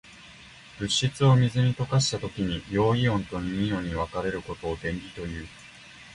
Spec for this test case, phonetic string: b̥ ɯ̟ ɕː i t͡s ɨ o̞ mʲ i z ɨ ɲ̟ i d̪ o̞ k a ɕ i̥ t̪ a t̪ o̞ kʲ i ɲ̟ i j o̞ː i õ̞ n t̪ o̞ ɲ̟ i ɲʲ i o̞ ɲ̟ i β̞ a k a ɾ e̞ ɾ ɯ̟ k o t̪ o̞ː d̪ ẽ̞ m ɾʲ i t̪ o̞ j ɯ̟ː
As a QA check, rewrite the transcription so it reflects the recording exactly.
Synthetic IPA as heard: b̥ ɯ̟ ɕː i t͡s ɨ o̞ mʲ i z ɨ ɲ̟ i t̪ o̞ k a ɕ i̥ t̪ a t̪ o̞ kʲ i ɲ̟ i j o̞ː i õ̞ n t̪ o̞ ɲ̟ i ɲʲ i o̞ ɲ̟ i β̞ a k a ɾ e̞ ɾ ɯ̟ k o t̪ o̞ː d̪ ẽ̞ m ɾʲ i t̪ o̞ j ɯ̟ː